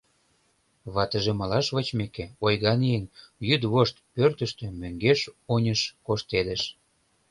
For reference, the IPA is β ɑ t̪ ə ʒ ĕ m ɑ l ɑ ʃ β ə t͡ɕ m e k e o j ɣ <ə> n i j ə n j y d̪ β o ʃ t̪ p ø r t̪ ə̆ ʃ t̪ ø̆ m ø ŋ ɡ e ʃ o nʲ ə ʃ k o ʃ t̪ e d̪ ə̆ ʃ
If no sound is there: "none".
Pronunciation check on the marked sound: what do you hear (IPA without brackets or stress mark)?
ɑ